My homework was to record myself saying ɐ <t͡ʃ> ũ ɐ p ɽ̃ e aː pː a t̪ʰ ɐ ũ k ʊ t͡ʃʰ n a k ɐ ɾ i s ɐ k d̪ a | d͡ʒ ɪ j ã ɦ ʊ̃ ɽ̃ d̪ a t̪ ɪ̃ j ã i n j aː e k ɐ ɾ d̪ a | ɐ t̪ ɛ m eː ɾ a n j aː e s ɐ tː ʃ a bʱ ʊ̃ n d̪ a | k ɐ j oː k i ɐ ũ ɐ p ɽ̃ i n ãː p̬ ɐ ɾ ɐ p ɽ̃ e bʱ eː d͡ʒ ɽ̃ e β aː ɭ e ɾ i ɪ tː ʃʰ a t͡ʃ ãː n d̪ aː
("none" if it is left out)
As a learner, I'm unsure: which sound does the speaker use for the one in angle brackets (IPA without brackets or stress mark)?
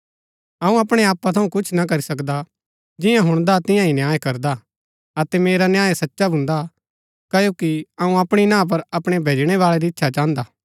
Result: none